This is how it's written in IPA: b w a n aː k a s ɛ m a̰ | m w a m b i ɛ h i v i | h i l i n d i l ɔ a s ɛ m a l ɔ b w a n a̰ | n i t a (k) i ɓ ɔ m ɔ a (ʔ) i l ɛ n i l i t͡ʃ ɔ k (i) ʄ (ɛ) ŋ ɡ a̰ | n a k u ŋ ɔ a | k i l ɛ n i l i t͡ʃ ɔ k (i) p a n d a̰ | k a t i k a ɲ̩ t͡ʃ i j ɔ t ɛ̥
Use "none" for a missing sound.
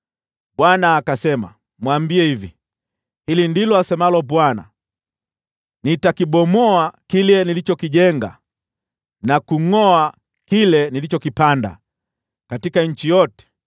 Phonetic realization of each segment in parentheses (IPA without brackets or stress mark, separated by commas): k, k, i, ɛ, i